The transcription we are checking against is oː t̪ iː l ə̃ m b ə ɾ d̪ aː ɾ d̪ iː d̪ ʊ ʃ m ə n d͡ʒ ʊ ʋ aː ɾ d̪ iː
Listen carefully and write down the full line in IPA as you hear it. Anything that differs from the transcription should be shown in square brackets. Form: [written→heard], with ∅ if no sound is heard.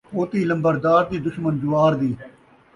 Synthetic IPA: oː t̪ iː l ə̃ m b ə ɾ d̪ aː ɾ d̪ iː d̪ ʊ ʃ m ə n d͡ʒ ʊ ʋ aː ɾ d̪ iː